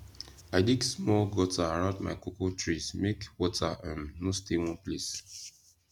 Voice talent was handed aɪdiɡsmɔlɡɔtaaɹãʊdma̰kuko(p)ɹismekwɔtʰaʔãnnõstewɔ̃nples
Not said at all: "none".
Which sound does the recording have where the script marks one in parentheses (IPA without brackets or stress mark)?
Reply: t